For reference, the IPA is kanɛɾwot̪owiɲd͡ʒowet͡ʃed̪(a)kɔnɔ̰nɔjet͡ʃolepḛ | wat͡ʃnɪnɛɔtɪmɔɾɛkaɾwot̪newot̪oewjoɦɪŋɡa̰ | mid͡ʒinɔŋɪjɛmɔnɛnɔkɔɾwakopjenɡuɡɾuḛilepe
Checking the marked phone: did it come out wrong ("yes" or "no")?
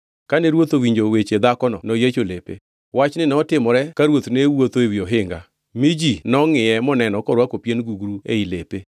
no